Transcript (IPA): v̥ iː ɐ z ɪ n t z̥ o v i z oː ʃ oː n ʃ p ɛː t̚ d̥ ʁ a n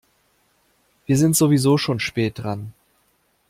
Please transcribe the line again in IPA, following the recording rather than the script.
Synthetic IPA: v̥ iː ɐ z ɪ n t z̥ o v i z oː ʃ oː n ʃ p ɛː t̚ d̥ ʁ a n

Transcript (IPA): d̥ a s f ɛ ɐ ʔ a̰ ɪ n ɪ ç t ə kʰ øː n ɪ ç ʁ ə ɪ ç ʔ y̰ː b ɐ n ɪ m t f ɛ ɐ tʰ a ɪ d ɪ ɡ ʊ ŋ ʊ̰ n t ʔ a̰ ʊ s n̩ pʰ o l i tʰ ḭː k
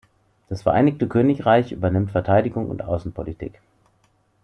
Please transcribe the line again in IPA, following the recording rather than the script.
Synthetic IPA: d̥ a s f ɛ ɐ ʔ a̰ ɪ n ɪ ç t ə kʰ øː n ɪ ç ʁ a ɪ ç ʔ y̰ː b ɐ n ɪ m t f ɛ ɐ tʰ a ɪ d ɪ ɡ ʊ ŋ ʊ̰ n t ʔ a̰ ʊ s n̩ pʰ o l i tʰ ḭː k

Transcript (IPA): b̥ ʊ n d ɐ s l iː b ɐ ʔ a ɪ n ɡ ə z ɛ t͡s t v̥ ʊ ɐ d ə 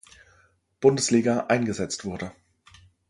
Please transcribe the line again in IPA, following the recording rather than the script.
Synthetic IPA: b̥ ʊ n d ə s l iː ɡ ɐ ʔ a ɪ n ɡ ə z ɛ t͡s t v̥ ʊ ɐ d ə

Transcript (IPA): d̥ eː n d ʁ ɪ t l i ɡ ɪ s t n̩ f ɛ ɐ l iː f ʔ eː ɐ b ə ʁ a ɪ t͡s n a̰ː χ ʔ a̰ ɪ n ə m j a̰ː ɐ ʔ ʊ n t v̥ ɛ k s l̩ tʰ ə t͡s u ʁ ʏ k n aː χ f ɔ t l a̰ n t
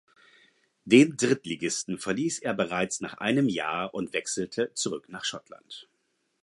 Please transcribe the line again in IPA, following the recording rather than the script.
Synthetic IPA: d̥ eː n d ʁ ɪ t l i ɡ ɪ s t n̩ f ɛ ɐ l iː s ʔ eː ɐ b ə ʁ a ɪ t͡s n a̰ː χ ʔ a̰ ɪ n ə m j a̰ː ɐ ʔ ʊ n t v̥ ɛ k s l̩ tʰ ə t͡s u ʁ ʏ k n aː χ ʃ ɔ t l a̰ n t

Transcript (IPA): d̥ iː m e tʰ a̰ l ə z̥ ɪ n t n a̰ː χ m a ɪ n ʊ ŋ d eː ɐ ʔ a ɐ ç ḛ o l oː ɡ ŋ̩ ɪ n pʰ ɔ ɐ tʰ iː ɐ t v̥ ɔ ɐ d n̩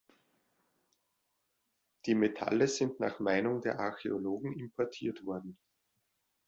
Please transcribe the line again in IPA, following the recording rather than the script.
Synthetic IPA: d̥ iː m e tʰ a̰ l ə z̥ ɪ n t n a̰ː χ m a ɪ n ʊ ŋ d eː ɐ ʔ a ɐ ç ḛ o l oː ɡ ŋ̩ ɪ m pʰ ɔ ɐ tʰ iː ɐ t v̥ ɔ ɐ d n̩

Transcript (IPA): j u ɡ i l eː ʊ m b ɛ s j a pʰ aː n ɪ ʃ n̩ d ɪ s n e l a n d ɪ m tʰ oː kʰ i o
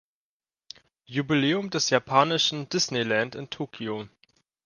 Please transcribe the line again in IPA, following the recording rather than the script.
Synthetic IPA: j u b i l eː ʊ m d ɛ s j a pʰ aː n ɪ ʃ n̩ d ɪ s n e l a n t ɪ n tʰ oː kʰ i o

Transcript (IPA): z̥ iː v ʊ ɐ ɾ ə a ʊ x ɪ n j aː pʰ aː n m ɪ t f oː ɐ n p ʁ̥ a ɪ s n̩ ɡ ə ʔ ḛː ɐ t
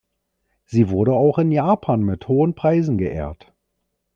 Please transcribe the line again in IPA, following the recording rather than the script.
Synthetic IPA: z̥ iː v ʊ ɐ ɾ ə a ʊ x ɪ n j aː pʰ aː n m ɪ t h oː ə n p ʁ̥ a ɪ z n̩ ɡ ə ʔ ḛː ɐ t

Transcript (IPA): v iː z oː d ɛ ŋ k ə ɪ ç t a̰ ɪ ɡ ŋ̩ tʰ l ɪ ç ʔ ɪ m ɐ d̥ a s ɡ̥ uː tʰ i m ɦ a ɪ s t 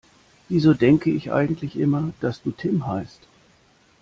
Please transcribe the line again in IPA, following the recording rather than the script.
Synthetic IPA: v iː z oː d ɛ ŋ k ə ɪ ç ʔ a̰ ɪ ɡ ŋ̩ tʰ l ɪ ç ʔ ɪ m ɐ d̥ a s d̥ uː tʰ ɪ m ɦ a ɪ s t

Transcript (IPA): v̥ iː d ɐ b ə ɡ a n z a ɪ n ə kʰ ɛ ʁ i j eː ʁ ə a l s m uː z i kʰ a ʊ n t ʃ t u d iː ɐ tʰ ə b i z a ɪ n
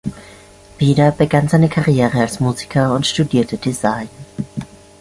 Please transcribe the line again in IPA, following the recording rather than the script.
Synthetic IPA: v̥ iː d ɐ b ə ɡ a n z a ɪ n ə kʰ a ʁ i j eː ʁ ə a l s m uː z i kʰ ɐ ʊ n t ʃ t u d iː ɐ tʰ ə d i z a ɪ n

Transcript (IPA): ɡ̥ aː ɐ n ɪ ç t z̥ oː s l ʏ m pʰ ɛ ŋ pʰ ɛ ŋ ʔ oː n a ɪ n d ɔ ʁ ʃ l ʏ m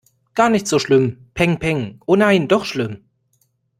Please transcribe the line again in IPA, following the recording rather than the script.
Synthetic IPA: ɡ̥ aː ɐ n ɪ ç t z̥ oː ʃ l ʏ m pʰ ɛ ŋ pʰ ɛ ŋ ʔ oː n a ɪ n d ɔ χ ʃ l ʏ m

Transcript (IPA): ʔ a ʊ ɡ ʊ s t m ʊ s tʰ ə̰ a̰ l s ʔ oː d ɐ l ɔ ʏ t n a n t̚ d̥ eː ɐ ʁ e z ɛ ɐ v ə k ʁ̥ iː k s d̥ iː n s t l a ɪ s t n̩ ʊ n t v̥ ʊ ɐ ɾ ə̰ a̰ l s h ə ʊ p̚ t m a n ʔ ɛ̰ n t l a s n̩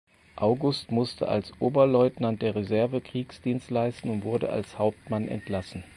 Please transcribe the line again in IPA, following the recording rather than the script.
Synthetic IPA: ʔ a ʊ ɡ ʊ s t m ʊ s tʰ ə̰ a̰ l s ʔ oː b ɐ l ɔ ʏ t n a n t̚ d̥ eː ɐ ʁ e z ɛ ɐ v ə k ʁ̥ iː k s d̥ iː n s t l a ɪ s t n̩ ʊ n t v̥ ʊ ɐ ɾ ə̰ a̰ l s h a ʊ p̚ t m a n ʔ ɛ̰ n t l a s n̩

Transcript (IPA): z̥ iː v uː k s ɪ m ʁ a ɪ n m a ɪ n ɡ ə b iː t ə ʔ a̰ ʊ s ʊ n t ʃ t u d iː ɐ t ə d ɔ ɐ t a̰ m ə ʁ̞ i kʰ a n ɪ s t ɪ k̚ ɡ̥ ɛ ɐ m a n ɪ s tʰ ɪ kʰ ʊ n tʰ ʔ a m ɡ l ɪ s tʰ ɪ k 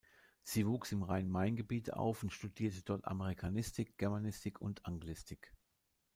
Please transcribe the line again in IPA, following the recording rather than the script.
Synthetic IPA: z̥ iː v uː k s ɪ m ʁ a ɪ n m a ɪ n ɡ ə b iː t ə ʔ a̰ ʊ f ʊ n t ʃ t u d iː ɐ t ə d ɔ ɐ t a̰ m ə ʁ̞ i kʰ a n ɪ s t ɪ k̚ ɡ̥ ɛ ɐ m a n ɪ s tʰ ɪ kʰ ʊ n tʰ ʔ a ŋ ɡ l ɪ s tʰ ɪ k

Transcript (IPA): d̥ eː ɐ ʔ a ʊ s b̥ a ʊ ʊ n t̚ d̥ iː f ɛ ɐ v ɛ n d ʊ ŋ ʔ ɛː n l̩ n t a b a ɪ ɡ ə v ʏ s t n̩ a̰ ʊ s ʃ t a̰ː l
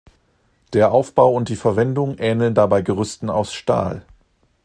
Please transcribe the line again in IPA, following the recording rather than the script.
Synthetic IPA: d̥ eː ɐ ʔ a ʊ f b̥ a ʊ ʊ n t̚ d̥ iː f ɛ ɐ v ɛ n d ʊ ŋ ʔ ɛː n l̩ n d a b a ɪ ɡ ə ʁ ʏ s t n̩ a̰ ʊ s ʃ t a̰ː l

